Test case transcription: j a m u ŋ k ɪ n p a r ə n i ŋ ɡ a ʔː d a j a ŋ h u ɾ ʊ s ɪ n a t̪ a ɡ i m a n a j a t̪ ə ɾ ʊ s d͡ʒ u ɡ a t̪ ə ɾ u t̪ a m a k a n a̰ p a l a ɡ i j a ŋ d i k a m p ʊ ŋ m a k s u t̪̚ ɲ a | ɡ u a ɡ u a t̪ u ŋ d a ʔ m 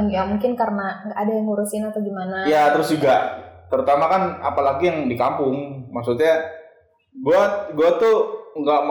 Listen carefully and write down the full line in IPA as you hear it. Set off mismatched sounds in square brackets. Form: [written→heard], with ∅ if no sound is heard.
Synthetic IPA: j a m u ŋ k ɪ n [p→k] a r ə n [i→a] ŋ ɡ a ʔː d a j a ŋ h u ɾ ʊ s ɪ n a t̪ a ɡ i m a n a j a t̪ ə ɾ ʊ s d͡ʒ u ɡ a t̪ ə ɾ u t̪ a m a k a n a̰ p a l a ɡ i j a ŋ d i k a m p ʊ ŋ m a k s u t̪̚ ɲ a | ɡ u a ɡ u a t̪ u ŋ [d→ɡ] a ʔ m